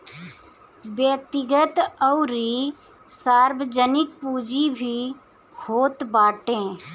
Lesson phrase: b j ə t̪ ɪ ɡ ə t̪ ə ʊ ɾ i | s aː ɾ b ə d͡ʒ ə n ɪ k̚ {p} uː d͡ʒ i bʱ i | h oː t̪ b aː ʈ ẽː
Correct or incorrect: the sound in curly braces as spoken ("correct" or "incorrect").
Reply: correct